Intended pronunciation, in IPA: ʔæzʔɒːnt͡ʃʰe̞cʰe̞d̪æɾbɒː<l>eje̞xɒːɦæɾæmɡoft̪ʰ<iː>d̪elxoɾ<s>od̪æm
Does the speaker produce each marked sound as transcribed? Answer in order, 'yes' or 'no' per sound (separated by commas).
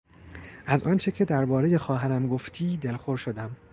no, yes, no